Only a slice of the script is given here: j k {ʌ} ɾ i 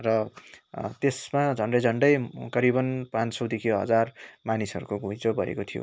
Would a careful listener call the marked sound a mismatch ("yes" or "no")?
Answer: no